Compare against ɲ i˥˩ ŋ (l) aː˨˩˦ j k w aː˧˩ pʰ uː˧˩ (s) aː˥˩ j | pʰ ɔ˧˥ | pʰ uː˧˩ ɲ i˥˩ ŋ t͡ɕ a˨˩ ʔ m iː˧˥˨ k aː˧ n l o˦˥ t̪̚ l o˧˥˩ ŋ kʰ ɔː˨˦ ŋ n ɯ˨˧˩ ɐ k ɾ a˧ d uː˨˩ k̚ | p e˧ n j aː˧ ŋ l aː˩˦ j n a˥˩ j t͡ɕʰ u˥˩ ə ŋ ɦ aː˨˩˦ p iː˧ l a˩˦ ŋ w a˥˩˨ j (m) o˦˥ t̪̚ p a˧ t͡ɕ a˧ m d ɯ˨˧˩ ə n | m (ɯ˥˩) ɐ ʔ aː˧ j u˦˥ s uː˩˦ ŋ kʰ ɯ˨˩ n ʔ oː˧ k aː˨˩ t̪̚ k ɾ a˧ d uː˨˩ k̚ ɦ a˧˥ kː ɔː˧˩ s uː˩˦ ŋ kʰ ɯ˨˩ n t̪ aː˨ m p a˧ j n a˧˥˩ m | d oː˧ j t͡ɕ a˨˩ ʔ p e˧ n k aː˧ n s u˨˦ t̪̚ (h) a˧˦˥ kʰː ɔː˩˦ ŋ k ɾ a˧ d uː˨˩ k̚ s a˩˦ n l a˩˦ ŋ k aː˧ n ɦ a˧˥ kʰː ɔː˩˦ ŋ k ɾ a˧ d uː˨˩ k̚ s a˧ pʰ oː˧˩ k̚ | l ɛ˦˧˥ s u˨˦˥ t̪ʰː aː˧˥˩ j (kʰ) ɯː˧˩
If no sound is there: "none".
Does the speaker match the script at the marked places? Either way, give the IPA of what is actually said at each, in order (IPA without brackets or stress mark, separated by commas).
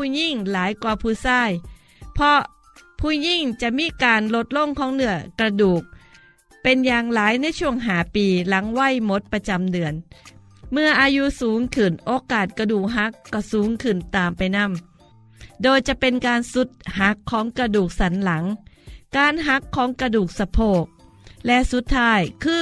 l, s, m, ɯ˧, h, kʰ